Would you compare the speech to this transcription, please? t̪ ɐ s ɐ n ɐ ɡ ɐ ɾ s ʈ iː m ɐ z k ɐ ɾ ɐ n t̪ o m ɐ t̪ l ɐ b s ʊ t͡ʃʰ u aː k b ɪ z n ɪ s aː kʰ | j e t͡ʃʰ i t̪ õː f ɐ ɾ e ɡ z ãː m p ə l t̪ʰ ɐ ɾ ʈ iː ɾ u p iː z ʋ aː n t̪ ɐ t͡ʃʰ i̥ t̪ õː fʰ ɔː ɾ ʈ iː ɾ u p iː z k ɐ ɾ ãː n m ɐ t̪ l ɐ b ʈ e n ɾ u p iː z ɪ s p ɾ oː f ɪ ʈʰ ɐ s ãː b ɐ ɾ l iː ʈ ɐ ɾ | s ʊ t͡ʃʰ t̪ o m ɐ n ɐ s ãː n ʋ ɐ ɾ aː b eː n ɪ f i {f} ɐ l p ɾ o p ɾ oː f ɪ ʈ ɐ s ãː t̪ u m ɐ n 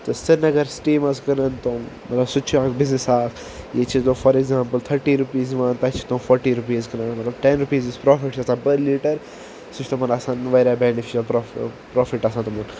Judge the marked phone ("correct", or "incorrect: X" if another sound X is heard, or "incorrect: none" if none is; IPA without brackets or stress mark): incorrect: ʃ